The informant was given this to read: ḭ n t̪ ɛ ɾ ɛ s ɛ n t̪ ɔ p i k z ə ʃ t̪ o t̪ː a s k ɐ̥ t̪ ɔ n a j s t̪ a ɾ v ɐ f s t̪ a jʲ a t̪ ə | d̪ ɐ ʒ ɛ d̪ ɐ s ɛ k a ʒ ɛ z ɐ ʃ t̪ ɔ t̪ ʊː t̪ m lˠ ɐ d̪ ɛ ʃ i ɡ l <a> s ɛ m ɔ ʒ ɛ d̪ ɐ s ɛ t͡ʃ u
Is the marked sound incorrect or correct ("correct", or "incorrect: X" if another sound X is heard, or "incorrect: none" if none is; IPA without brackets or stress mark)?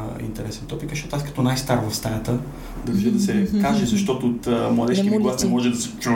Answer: correct